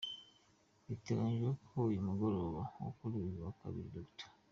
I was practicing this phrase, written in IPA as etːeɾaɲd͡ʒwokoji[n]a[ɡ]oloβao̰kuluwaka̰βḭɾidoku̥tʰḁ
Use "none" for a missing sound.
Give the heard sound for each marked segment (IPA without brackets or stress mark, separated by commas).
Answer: m, ɡ